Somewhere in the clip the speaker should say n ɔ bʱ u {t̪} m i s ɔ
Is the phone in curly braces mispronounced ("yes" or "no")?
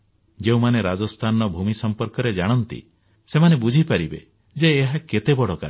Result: yes